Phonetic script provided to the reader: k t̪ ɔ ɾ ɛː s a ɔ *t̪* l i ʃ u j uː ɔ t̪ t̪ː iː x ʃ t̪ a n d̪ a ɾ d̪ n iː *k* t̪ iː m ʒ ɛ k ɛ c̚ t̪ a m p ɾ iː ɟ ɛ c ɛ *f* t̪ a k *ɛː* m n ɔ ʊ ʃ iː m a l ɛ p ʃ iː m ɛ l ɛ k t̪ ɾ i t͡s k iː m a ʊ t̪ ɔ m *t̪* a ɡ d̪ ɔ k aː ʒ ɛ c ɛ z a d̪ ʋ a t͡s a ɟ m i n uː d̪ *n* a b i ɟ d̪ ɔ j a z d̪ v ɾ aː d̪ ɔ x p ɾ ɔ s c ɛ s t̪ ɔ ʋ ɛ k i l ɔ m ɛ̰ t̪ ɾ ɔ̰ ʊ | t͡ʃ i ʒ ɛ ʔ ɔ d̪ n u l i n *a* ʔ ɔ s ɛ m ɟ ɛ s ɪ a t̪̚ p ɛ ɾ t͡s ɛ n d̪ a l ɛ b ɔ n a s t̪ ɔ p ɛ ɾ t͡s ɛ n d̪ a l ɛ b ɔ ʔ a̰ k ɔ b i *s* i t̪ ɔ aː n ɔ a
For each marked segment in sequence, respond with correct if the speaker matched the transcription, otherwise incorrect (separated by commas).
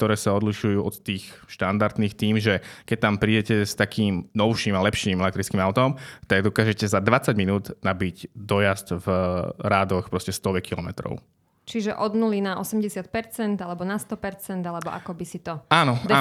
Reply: incorrect, incorrect, incorrect, incorrect, correct, correct, correct, correct